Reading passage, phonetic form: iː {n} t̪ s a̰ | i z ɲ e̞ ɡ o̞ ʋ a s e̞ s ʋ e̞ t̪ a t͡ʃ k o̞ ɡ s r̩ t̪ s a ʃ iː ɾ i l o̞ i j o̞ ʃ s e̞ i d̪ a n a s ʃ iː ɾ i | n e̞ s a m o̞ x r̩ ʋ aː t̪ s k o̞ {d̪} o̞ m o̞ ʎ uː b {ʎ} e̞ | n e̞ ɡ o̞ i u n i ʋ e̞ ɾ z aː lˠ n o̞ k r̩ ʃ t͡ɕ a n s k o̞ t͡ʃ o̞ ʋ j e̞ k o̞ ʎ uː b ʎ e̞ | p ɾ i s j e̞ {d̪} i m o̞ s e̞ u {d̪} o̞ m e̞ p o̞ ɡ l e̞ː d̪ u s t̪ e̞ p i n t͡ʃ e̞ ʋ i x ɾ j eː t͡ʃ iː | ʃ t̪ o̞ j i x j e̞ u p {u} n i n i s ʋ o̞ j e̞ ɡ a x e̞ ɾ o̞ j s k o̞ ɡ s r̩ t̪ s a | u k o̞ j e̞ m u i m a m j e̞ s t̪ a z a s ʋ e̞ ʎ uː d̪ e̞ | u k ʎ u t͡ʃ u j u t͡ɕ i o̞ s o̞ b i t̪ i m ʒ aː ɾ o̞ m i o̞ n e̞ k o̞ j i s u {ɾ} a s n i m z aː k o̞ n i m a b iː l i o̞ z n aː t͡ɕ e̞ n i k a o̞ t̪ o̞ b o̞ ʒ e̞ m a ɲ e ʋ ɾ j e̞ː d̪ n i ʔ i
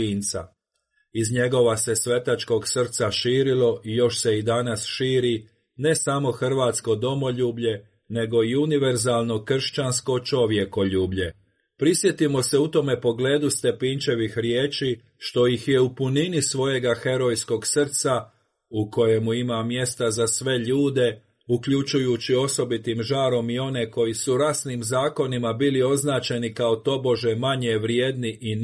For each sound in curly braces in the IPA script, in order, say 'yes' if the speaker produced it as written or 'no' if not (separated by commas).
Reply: yes, yes, yes, no, no, yes, yes